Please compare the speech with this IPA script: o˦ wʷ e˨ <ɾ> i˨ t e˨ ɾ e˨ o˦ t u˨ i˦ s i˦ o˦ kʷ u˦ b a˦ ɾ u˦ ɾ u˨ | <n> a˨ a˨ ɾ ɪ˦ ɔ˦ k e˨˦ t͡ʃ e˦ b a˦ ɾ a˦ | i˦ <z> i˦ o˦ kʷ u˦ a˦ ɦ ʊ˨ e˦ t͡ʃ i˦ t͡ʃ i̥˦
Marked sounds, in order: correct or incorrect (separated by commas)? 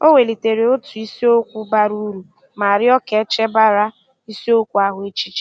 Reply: incorrect, incorrect, incorrect